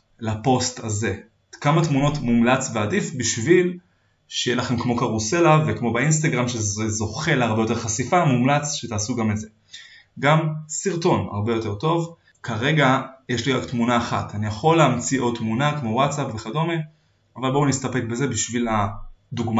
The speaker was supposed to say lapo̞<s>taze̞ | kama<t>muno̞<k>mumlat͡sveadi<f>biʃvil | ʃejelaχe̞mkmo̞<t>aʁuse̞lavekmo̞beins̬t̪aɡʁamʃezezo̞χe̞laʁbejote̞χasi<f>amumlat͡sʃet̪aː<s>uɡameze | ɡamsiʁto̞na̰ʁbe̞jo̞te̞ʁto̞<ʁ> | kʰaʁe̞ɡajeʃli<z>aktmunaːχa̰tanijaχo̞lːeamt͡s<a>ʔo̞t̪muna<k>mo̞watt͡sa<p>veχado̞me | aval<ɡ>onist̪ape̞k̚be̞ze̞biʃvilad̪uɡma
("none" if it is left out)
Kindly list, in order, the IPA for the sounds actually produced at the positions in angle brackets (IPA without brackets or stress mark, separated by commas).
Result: s, t, t, f, k, f, s, v, ʁ, i, k, p, b